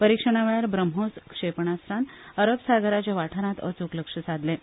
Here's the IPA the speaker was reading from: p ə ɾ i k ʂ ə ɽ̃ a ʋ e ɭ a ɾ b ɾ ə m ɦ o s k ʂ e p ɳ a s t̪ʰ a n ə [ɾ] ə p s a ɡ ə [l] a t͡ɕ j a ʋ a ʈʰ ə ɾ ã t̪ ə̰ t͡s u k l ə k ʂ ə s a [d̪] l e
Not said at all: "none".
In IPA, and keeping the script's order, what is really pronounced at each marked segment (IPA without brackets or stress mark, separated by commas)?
ɾ, ɾ, d̪